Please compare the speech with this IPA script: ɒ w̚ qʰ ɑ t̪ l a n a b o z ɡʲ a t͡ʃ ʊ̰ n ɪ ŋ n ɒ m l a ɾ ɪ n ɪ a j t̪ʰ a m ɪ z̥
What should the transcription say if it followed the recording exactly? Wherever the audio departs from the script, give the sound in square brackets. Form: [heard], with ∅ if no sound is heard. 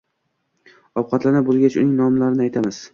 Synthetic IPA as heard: ɒ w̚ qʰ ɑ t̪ l a n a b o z ɡʲ a t͡ʃ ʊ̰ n ɪ ŋ n ɒ m l a ɾ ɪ n ɪ a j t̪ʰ a m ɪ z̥